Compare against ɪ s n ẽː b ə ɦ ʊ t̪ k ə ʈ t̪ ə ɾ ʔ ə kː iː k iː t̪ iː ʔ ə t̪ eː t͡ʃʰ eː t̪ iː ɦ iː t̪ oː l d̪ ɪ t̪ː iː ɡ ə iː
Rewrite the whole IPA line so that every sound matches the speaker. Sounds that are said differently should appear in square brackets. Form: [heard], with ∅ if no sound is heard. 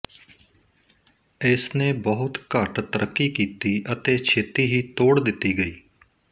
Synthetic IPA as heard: ɪ s n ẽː b ə ɦ ʊ t̪ k ə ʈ t̪ ə ɾ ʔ ə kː iː k iː t̪ iː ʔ ə t̪ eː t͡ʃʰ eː t̪ iː ɦ iː t̪ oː [ɽ] d̪ ɪ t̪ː iː ɡ ə iː